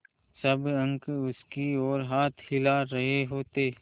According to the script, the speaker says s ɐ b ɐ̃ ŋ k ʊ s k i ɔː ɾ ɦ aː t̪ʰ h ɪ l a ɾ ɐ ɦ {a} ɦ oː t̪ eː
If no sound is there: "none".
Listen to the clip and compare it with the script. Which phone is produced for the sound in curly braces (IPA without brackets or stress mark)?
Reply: e